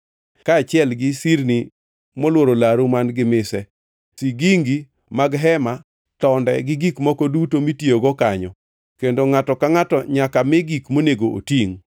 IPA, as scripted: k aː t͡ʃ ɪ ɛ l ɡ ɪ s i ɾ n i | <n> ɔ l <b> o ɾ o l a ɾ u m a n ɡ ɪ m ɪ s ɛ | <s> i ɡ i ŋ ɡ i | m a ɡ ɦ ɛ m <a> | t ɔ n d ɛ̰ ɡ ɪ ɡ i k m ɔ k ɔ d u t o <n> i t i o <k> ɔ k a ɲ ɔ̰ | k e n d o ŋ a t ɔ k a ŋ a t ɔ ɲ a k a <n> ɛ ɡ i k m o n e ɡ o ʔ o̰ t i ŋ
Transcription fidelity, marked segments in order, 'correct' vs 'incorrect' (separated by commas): incorrect, incorrect, correct, correct, incorrect, incorrect, incorrect